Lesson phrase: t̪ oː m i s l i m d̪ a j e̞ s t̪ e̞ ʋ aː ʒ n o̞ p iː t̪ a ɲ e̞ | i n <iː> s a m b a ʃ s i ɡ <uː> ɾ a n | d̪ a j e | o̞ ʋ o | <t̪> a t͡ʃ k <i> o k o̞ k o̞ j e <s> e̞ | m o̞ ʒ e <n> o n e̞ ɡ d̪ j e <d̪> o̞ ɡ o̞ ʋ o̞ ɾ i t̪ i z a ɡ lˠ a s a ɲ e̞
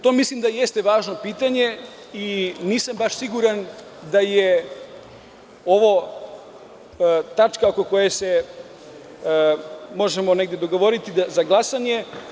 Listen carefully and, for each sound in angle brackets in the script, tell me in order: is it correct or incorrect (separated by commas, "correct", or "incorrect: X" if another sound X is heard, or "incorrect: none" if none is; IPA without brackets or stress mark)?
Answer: correct, incorrect: u, correct, incorrect: a, correct, incorrect: m, correct